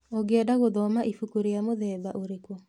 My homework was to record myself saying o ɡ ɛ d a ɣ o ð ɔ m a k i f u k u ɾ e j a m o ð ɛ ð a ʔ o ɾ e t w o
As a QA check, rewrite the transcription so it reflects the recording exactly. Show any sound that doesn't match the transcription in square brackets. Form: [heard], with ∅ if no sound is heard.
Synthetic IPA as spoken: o ɡ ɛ d a ɣ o ð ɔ m a [ʔ] i f u k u ɾ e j a m o ð ɛ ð a ʔ o ɾ e [k] w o